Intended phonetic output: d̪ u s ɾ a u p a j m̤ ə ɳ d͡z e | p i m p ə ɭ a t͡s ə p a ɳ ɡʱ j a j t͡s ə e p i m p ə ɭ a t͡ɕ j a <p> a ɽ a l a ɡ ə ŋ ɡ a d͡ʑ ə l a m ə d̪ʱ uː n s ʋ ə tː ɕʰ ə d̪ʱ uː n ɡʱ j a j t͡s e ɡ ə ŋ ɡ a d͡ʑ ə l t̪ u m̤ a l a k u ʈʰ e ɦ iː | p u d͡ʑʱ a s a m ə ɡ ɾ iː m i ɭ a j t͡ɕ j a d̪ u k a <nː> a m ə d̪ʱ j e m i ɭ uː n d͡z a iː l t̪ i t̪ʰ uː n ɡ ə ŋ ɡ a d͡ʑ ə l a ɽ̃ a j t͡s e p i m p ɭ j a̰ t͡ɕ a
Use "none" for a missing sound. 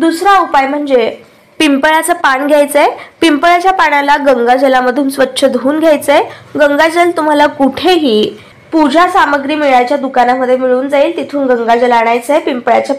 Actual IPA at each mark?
p, n

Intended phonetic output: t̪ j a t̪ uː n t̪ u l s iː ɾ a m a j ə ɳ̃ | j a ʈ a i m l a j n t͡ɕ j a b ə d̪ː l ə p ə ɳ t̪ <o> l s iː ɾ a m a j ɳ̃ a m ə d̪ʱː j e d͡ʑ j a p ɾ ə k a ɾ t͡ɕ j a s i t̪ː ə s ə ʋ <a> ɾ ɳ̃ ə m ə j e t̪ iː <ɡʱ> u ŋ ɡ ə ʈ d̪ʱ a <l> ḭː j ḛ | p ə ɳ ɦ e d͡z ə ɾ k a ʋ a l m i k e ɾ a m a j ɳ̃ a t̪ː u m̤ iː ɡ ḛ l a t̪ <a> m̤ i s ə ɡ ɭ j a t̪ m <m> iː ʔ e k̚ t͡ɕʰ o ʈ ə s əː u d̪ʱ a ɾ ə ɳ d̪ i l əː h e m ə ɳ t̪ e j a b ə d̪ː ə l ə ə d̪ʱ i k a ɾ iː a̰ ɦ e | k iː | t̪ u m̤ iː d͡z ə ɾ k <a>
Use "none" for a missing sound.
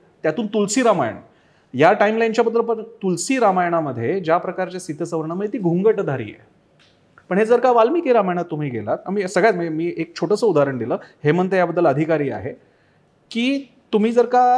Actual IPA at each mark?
u, ə, ɡʱ, ɾ, a, m, a

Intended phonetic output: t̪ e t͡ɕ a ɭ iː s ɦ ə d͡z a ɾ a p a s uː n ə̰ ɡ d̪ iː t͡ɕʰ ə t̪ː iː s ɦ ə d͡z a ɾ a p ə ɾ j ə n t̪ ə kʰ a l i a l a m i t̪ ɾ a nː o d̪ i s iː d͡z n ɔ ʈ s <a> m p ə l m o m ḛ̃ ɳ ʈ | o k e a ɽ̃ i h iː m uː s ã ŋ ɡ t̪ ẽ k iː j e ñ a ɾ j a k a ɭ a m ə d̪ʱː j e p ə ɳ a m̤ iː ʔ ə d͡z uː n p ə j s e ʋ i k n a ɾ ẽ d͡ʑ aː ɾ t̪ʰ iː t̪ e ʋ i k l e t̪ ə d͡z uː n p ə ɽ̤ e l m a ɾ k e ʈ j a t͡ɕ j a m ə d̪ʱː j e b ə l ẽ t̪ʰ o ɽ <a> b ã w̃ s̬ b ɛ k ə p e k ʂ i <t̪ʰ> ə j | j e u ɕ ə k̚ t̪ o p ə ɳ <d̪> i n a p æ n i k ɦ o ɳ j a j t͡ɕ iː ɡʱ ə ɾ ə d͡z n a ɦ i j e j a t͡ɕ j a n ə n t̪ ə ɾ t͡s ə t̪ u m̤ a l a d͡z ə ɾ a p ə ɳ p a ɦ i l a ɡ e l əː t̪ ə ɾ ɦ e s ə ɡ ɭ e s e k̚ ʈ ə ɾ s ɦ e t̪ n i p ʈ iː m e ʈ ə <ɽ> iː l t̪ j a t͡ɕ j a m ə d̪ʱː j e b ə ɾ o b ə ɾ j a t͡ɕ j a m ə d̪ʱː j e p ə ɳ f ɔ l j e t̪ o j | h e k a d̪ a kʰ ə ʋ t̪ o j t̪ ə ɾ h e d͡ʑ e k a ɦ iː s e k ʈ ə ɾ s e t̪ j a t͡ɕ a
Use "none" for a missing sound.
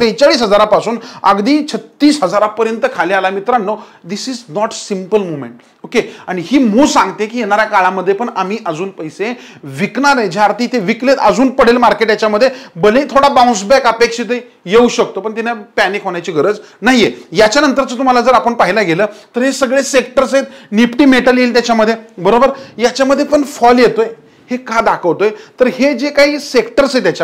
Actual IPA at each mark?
i, a, t̪, t̪, l

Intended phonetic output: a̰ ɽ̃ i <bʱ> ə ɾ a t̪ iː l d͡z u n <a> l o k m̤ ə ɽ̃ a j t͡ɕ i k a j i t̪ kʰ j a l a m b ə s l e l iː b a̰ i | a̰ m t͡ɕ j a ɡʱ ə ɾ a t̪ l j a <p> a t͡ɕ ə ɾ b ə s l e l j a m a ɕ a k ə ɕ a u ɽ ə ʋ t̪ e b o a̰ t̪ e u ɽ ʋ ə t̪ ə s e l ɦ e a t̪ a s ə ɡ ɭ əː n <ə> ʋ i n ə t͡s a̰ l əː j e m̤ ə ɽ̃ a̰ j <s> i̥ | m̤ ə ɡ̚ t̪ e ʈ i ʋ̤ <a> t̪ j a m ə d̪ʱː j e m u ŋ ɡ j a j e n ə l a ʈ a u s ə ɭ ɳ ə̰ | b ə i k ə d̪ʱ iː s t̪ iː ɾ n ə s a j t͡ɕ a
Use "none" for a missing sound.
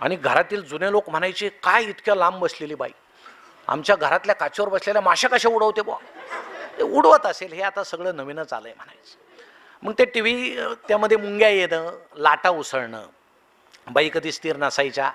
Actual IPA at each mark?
ɡʱ, e, k, ə, t͡s, i

